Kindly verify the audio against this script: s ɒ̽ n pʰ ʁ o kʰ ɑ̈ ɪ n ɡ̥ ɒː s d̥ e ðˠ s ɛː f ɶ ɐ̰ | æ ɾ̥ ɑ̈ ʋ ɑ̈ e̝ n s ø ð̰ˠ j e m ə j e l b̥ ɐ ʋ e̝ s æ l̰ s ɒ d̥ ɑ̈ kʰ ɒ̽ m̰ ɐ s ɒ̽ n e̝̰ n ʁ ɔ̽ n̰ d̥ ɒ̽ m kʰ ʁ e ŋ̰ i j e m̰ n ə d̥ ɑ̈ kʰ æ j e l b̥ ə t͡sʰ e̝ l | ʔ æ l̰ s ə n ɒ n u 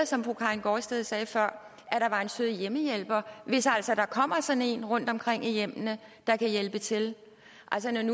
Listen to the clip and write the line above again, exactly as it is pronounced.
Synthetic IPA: s ɒ̽ m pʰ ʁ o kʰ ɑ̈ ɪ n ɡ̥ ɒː s d̥ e ðˠ s ɛː f ɶ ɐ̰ | æ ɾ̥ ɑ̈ ʋ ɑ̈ e̝ n s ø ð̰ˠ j e m ə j e l b̥ ɐ ʋ e̝ s æ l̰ s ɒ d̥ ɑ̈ kʰ ɒ̽ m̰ ɐ s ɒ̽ n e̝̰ n ʁ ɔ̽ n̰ d̥ ɒ̽ m kʰ ʁ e ŋ̰ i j e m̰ n ə d̥ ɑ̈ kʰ æ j e l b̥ ə t͡sʰ e̝ l | ʔ æ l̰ s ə n ɒ n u